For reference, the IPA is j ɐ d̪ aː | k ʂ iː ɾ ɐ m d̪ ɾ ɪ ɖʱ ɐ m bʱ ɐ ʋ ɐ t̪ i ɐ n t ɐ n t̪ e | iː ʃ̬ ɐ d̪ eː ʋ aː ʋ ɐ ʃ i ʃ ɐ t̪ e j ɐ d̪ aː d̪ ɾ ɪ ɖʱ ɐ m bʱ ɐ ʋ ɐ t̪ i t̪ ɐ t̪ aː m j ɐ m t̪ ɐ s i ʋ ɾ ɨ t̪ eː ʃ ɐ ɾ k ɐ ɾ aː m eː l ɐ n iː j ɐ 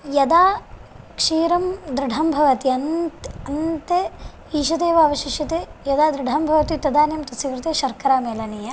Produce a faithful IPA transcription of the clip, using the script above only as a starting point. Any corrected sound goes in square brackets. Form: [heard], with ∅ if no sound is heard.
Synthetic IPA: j ɐ d̪ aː | k ʂ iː ɾ ɐ m d̪ ɾ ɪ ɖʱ ɐ m bʱ ɐ ʋ ɐ t̪ i ɐ n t ɐ n t̪ e | iː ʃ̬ ɐ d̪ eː ʋ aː ʋ ɐ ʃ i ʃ ɐ t̪ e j ɐ d̪ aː d̪ ɾ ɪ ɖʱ ɐ m bʱ ɐ ʋ ɐ t̪ i t̪ ɐ [d̪] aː [n] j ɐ m t̪ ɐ s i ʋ ɾ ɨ t̪ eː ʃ ɐ ɾ k ɐ ɾ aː m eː l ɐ n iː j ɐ